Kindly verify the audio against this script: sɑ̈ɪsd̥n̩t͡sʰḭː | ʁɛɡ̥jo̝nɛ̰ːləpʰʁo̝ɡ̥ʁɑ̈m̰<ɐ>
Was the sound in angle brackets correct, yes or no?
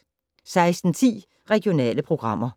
yes